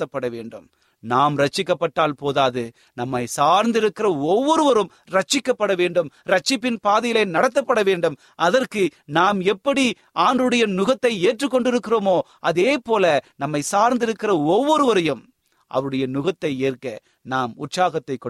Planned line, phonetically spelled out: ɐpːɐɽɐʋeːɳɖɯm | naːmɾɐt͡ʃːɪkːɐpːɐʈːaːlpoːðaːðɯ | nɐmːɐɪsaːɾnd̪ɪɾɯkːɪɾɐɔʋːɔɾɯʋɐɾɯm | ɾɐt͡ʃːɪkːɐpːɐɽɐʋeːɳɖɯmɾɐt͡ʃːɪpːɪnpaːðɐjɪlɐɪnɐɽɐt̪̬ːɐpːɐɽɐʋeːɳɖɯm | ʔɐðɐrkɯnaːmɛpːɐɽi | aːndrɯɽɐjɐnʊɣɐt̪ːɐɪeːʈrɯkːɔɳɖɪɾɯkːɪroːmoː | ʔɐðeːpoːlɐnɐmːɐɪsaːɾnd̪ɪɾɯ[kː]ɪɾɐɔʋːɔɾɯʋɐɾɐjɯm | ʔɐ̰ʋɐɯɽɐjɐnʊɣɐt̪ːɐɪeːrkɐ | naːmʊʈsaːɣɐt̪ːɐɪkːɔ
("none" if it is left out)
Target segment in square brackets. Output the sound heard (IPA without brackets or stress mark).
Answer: kː